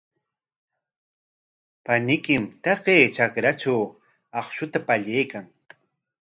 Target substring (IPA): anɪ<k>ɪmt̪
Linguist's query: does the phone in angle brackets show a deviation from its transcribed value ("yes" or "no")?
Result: no